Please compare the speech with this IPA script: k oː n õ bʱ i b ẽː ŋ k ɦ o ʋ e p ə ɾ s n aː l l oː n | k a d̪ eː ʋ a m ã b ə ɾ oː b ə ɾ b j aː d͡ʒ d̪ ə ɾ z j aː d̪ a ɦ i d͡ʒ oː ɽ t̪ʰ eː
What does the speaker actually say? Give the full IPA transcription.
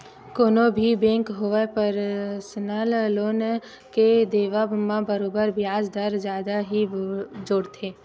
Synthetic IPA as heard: k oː n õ bʱ i b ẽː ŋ k ɦ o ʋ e p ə ɾ s n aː l l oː n | k e d̪ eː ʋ a m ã b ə ɾ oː b ə ɾ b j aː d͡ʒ d̪ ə ɾ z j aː d̪ a ɦ i d͡ʒ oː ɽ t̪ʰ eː